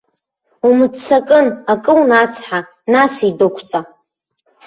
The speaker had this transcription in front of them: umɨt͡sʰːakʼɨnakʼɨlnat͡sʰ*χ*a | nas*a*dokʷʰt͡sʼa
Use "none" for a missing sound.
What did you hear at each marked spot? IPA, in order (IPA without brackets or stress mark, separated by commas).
ħ, i